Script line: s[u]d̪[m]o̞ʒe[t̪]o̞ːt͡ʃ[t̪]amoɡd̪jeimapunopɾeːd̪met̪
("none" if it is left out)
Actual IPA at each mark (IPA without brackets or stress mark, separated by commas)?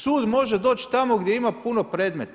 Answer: uː, m, d̪, t̪